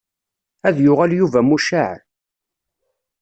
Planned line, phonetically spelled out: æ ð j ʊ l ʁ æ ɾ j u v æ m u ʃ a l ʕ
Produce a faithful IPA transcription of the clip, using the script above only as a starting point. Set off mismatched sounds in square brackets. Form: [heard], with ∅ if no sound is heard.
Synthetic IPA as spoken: æ ð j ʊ [∅] ʁ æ [l] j u v æ m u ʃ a [∅] ʕ